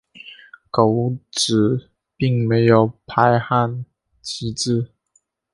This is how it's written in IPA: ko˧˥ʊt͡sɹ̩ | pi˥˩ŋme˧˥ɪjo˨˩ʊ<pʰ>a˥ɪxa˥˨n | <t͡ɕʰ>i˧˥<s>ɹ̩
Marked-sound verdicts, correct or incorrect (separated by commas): correct, correct, incorrect